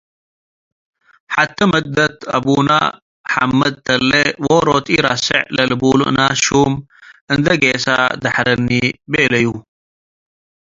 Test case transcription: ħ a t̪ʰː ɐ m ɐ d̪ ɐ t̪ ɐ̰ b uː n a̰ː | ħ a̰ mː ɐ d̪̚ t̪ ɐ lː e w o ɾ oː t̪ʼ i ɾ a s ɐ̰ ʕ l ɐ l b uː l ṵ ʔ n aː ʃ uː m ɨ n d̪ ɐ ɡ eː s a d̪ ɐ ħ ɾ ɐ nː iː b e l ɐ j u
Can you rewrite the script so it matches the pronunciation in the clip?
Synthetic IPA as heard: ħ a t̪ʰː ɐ m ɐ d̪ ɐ t̪ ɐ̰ b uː n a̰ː | ħ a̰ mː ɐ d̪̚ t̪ ɐ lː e w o ɾ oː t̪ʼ i ɾ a s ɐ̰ ʕ l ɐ l b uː l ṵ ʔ n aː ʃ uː m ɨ n d̪ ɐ ɡ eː s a d̪ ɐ ħ ɾ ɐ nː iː b e l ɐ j u